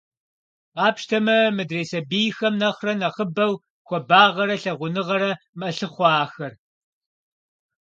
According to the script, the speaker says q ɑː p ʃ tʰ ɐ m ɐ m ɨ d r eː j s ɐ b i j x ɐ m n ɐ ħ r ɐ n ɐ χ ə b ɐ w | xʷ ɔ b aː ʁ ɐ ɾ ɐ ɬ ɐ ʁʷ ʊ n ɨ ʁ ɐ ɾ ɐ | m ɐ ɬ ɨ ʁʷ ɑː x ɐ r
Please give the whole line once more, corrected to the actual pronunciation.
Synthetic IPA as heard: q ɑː p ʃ tʰ ɐ m ɐ m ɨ d r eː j s ɐ b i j x ɐ m n ɐ χ r ɐ n ɐ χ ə b ɐ w | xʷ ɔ b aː ʁ ɐ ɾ ɐ ɬ ɐ ʁʷ ʊ n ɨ ʁ ɐ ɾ ɐ | m ɐ ɬ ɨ χʷ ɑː x ɐ r